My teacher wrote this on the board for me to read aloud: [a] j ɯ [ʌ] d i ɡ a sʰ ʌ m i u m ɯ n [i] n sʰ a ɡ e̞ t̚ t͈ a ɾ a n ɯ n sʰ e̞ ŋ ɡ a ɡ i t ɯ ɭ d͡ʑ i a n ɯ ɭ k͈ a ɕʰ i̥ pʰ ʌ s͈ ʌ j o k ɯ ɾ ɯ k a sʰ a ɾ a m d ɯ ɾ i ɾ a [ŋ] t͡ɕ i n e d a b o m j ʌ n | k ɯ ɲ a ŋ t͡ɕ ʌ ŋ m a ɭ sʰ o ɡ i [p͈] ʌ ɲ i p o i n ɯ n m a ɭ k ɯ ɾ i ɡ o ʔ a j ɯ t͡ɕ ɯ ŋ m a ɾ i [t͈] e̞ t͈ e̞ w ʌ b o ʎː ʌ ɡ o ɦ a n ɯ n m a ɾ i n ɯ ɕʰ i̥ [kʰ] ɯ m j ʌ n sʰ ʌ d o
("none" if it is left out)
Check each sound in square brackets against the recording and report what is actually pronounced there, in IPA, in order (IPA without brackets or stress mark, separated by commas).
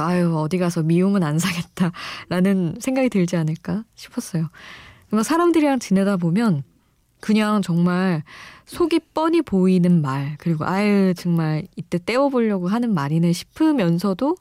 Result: a, ʌ, a, ŋ, p͈, t͈, pʰ